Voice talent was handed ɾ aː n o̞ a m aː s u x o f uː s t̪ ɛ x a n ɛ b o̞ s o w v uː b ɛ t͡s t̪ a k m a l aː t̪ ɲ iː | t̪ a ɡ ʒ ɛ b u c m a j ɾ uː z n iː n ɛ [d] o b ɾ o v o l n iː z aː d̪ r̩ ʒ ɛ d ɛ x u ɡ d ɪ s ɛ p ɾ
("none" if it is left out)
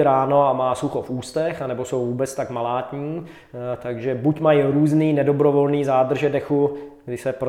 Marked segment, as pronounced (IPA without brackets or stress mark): d